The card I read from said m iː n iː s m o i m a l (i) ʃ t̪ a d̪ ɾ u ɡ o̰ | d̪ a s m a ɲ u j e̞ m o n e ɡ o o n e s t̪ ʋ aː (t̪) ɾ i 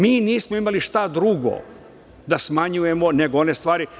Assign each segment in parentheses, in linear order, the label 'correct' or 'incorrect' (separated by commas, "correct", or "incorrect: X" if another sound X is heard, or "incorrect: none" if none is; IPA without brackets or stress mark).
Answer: correct, incorrect: none